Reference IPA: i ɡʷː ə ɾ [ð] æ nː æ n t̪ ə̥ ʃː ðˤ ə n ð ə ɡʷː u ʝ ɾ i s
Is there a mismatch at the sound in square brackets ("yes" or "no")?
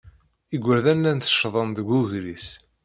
no